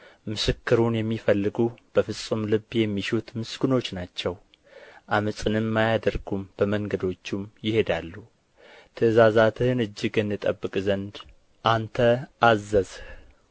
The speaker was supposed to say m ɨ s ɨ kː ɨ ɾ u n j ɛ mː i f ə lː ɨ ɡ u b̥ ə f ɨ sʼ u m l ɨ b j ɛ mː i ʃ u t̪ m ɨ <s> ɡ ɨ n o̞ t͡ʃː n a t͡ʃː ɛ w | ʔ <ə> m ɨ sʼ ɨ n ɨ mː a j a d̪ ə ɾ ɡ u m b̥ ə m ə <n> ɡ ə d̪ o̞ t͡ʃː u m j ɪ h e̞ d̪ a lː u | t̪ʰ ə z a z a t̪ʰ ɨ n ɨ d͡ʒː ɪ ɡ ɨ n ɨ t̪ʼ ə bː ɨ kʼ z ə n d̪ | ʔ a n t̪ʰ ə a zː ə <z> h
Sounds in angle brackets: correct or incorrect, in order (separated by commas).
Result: correct, incorrect, incorrect, correct